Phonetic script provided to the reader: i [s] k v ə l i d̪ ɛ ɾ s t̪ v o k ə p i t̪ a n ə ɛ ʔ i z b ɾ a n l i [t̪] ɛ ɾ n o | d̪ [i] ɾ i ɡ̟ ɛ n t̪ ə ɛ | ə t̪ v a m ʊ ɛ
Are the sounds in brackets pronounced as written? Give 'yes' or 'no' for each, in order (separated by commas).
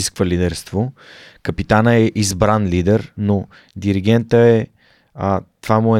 yes, no, yes